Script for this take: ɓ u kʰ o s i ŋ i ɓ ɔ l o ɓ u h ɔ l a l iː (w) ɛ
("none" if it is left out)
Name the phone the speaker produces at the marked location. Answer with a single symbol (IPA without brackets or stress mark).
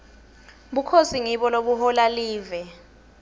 v